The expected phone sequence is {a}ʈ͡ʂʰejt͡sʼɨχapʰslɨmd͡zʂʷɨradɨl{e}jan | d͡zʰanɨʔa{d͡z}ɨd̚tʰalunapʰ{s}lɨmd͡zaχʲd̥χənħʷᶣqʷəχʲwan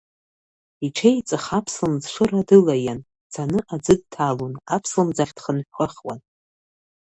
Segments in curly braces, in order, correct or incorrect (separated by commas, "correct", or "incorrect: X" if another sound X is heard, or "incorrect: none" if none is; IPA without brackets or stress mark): incorrect: i, incorrect: a, correct, correct